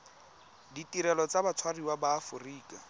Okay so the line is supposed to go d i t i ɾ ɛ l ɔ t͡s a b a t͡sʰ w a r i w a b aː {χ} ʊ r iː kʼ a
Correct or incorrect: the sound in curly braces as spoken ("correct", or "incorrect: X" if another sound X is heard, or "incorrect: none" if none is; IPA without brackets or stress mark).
incorrect: f